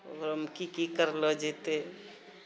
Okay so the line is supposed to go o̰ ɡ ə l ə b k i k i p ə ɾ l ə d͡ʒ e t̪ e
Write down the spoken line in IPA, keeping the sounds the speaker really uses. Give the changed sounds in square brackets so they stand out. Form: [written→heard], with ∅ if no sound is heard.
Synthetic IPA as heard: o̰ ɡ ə [l→ɾ] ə [b→m] k i k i [p→k] ə ɾ l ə d͡ʒ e t̪ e